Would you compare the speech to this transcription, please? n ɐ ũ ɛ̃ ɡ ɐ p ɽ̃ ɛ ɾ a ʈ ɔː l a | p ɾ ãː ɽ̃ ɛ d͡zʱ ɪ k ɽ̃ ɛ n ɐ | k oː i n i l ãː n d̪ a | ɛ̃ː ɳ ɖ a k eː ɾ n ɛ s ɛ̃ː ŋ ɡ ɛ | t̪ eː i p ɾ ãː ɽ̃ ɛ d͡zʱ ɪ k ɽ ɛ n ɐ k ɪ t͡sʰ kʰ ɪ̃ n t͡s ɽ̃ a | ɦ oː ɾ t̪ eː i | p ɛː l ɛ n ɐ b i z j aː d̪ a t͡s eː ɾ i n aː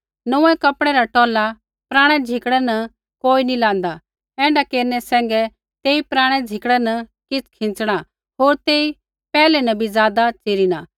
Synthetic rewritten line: n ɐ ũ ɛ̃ k ɐ p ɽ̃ ɛ ɾ a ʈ ɔː l a | p ɾ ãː ɽ̃ ɛ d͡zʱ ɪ k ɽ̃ ɛ n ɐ | k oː i n i l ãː n d̪ a | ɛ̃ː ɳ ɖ a k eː ɾ n ɛ s ɛ̃ː ŋ ɡ ɛ | t̪ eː i p ɾ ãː ɽ̃ ɛ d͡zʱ ɪ k ɽ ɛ n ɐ k ɪ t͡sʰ kʰ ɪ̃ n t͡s ɽ̃ a | ɦ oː ɾ t̪ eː i | p ɛː l ɛ n ɐ b i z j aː d̪ a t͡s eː ɾ i n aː